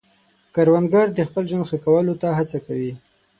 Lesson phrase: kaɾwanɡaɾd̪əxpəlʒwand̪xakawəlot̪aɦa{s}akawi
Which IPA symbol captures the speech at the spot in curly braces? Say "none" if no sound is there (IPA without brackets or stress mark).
t͡s